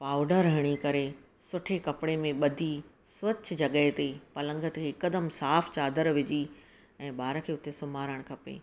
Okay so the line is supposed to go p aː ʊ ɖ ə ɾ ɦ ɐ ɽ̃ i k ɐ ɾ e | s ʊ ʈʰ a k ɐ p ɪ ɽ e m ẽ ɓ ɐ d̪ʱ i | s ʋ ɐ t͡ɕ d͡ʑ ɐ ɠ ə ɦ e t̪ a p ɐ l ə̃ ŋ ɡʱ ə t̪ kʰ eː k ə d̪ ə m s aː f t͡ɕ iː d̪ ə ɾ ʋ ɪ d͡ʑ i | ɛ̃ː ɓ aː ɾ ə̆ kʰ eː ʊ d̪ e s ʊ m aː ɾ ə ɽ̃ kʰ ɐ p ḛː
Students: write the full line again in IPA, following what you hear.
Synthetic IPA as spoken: p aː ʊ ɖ ə ɾ ɦ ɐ ɽ̃ i k ɐ ɾ e | s ʊ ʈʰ e k ɐ p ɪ ɽ e m ẽ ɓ ɐ d̪ʱ i | s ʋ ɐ t͡ɕ d͡ʑ ɐ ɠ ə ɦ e t̪ e p ɐ l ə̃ ŋ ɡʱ ə t̪ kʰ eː k ə d̪ ə m s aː f t͡ɕ aː d̪ ə ɾ ʋ ɪ d͡ʑ i | ɛ̃ː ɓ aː ɾ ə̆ kʰ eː ʊ t̪ e s ʊ m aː ɾ ə ɽ̃ kʰ ɐ p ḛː